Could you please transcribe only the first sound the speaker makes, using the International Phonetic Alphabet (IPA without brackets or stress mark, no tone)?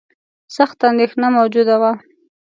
s